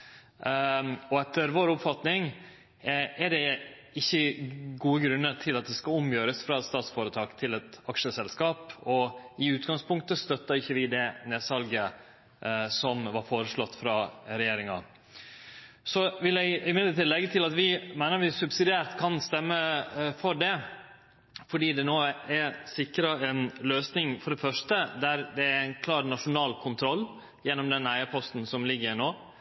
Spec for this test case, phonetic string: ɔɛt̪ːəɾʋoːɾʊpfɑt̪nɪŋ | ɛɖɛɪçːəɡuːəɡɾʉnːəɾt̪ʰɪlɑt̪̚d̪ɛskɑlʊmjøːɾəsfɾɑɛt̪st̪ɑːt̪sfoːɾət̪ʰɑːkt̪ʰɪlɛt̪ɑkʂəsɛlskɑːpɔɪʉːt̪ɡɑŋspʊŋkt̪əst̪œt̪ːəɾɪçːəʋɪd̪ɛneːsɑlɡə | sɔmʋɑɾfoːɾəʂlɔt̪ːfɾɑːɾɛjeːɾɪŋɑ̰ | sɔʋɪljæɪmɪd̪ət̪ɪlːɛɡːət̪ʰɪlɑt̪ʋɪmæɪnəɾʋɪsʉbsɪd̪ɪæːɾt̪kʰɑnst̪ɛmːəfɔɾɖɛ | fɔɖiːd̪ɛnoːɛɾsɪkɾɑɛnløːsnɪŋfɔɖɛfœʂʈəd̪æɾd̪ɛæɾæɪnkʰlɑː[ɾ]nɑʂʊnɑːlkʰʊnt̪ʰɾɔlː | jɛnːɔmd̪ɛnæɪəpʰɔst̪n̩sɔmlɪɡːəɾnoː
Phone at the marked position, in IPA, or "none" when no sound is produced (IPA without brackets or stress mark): ɾ